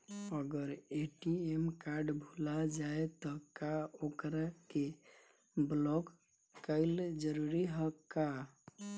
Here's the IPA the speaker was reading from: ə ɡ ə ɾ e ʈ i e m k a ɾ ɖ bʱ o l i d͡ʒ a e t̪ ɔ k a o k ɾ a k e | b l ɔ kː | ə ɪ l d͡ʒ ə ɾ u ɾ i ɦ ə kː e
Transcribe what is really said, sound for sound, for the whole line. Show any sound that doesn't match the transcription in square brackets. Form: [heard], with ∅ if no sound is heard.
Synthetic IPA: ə ɡ ə ɾ e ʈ i e m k a ɾ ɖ bʱ [u] l [a] d͡ʒ a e t̪ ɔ k a o k ɾ a k e | b l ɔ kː | ə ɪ l d͡ʒ ə ɾ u ɾ i ɦ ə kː [a]